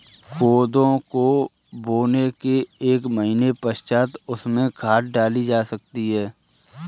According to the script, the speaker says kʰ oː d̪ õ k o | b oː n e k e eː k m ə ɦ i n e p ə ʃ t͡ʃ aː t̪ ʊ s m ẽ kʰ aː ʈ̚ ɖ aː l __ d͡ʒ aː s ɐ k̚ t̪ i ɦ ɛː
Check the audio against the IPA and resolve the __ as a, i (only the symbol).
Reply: i